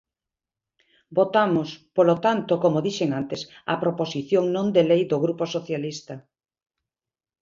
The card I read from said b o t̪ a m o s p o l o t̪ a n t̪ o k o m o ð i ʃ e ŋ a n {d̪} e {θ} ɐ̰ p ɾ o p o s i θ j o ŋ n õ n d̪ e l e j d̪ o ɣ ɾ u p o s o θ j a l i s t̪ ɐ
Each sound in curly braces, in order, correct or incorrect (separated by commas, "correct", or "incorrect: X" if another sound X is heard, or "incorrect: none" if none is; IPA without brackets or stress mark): incorrect: t̪, incorrect: s